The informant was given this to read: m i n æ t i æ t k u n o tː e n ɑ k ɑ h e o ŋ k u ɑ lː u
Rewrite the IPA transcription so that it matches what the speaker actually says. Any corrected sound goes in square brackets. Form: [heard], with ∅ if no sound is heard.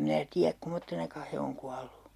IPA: m i n æ t i æ [k] k u [m] o tː e n ɑ k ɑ h e o ŋ k u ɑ lː u